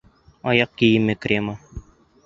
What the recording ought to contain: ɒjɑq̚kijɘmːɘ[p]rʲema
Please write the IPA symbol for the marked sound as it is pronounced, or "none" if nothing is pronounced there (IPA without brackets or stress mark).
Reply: k